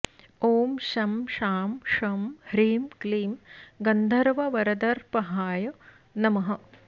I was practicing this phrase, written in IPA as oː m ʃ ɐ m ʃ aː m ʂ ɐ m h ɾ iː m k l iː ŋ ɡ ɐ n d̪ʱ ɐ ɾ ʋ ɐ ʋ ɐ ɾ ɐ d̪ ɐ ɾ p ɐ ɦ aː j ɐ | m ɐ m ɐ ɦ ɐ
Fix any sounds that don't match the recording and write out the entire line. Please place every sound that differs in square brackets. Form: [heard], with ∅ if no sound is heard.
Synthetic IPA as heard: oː m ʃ ɐ m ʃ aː m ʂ ɐ m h ɾ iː m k l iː [m] ɡ ɐ n d̪ʱ ɐ ɾ ʋ ɐ ʋ ɐ ɾ ɐ d̪ ɐ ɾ p ɐ ɦ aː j ɐ | [n] ɐ m ɐ ɦ ɐ